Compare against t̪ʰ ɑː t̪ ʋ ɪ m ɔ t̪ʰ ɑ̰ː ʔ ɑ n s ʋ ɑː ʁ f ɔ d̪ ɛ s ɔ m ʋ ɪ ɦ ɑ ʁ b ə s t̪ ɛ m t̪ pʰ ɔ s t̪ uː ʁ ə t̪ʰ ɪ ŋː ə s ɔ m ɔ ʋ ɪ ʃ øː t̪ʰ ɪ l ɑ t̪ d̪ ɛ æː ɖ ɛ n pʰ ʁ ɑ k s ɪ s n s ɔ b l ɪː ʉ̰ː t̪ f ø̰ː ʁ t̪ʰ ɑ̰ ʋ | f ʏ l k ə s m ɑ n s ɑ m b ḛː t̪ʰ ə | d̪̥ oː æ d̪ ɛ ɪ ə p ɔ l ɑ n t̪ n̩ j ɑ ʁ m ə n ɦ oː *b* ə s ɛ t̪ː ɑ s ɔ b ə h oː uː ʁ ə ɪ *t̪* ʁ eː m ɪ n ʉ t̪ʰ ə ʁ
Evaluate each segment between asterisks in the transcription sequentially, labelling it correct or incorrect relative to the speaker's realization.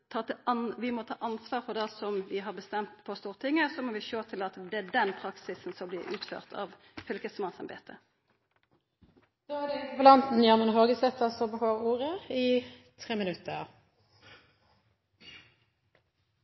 incorrect: ɡ, incorrect: t̪ʰ

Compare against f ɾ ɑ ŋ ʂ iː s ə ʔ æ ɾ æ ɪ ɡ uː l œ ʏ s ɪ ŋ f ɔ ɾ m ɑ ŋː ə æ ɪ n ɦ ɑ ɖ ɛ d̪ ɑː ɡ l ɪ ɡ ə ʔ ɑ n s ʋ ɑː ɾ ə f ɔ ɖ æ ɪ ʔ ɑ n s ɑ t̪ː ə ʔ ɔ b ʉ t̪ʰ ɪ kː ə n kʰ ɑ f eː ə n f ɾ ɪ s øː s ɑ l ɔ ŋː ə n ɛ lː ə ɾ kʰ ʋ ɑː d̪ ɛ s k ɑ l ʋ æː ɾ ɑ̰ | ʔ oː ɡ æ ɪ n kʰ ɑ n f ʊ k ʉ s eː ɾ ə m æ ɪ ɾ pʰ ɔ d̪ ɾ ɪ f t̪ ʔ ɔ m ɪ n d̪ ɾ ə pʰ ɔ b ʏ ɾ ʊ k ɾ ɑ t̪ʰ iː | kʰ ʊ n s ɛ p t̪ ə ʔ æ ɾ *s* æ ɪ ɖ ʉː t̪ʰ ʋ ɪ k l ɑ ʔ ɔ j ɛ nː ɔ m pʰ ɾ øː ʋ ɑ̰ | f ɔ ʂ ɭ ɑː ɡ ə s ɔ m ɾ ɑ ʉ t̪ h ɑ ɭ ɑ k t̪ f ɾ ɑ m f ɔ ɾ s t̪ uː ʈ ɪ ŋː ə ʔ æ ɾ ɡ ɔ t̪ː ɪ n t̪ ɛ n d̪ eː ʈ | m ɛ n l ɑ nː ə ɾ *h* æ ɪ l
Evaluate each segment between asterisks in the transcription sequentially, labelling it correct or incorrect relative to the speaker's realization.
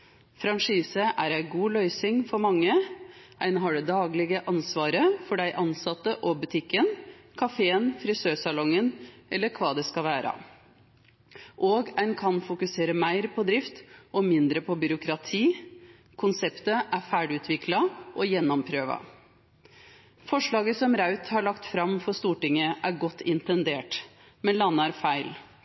incorrect: f, incorrect: f

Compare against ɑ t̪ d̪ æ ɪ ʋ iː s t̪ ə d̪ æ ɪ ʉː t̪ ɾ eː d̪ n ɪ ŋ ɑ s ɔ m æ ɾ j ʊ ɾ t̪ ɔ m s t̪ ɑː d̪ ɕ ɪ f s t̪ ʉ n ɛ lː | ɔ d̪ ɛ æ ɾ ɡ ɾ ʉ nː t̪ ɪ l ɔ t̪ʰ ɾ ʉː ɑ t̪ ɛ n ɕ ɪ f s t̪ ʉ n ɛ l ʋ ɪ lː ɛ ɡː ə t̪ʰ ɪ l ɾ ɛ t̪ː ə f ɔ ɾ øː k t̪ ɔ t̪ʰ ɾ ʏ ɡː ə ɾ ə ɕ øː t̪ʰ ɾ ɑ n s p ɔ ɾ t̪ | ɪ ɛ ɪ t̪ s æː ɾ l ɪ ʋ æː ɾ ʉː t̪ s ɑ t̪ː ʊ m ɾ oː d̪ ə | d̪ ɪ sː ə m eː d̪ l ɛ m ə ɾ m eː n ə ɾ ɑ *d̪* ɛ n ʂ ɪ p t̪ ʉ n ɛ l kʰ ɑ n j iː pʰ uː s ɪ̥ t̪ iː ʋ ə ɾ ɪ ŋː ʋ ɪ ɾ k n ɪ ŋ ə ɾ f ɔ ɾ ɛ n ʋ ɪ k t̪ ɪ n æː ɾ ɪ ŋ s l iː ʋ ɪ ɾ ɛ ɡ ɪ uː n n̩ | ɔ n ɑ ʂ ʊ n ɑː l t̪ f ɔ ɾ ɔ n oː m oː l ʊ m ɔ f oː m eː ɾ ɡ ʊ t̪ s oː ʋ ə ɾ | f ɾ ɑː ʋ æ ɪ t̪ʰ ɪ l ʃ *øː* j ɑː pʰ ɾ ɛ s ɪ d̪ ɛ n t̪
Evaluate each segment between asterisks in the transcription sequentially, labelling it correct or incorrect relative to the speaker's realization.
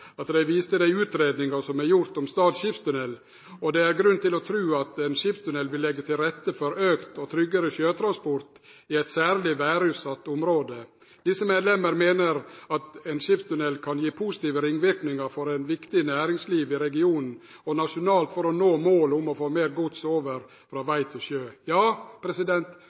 incorrect: t̪, correct

